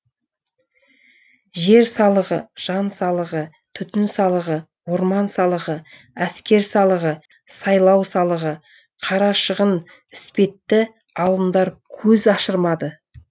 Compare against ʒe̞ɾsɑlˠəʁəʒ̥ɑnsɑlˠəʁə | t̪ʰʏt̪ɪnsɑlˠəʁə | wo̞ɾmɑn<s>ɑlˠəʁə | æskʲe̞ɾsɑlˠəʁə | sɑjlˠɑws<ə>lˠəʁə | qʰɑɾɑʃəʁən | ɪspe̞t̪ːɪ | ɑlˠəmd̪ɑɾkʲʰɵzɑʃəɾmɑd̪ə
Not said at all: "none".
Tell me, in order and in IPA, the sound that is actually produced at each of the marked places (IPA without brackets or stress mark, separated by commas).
s, ɑ